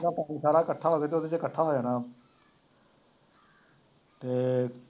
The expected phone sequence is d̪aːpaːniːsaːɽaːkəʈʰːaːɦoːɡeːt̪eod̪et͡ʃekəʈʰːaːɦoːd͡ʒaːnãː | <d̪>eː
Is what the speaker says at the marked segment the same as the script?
no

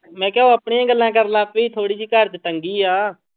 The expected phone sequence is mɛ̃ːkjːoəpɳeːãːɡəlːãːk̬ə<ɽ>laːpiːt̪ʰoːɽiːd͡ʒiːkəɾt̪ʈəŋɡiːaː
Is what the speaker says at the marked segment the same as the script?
no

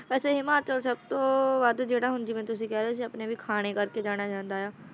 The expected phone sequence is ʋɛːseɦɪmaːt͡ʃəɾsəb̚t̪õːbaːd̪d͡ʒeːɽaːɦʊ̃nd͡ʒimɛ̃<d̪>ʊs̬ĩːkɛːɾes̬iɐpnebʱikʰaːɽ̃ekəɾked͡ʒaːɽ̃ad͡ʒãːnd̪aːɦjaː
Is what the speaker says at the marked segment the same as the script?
no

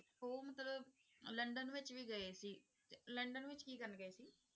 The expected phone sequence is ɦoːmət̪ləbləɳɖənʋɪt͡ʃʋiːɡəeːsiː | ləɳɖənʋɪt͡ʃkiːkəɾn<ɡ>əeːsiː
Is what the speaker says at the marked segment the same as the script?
yes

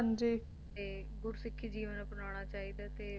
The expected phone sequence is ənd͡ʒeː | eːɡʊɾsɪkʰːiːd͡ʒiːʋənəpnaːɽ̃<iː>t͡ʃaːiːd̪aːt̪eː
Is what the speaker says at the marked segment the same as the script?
no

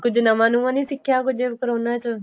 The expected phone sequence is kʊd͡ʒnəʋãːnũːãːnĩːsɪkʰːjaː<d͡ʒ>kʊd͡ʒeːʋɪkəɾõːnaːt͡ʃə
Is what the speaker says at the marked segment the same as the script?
no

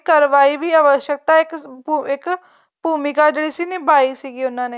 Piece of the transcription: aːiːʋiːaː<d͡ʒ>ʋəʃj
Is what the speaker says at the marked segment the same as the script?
no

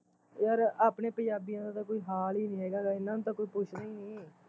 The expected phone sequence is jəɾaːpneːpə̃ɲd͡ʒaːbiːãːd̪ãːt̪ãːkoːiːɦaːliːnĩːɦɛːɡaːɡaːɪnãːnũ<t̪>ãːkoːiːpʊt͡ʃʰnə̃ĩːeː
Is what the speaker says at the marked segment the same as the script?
yes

